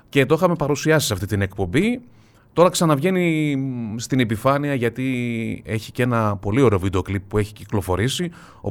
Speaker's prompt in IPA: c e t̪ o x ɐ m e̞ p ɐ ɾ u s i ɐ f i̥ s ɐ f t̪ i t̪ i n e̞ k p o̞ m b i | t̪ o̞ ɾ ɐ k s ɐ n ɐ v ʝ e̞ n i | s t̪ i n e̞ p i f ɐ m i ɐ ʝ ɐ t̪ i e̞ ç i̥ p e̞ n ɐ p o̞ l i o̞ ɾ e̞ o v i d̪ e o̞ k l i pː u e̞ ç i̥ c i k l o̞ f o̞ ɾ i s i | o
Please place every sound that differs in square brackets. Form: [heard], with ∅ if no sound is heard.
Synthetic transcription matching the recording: c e t̪ o x ɐ m e̞ p ɐ ɾ u s i ɐ [s] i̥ s ɐ f t̪ i t̪ i n e̞ k p o̞ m b i | t̪ o̞ ɾ ɐ k s ɐ n ɐ v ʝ e̞ n i | s t̪ i n e̞ p i f ɐ [n] i ɐ ʝ ɐ t̪ i e̞ ç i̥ [c] e̞ n ɐ p o̞ l i o̞ ɾ e̞ o v i d̪ e o̞ k l i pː u e̞ ç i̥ c i k l o̞ f o̞ ɾ i s i | o